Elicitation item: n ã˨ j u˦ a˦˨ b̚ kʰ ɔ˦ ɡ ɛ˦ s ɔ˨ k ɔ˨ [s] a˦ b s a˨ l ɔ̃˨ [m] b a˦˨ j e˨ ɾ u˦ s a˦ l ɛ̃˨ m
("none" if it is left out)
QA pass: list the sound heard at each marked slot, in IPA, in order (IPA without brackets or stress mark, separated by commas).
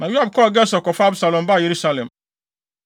f, m